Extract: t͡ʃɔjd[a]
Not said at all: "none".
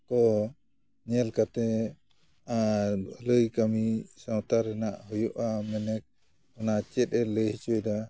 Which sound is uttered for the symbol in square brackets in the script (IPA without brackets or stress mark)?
a